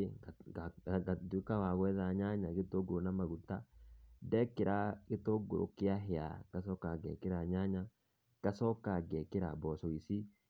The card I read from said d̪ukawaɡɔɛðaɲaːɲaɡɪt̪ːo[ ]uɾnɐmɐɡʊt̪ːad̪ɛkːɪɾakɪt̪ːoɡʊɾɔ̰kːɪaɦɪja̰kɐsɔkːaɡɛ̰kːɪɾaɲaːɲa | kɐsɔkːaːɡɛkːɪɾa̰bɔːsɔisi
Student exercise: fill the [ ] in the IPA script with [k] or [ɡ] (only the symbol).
ɡ